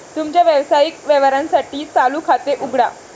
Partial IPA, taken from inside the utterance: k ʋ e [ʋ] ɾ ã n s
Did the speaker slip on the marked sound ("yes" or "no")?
no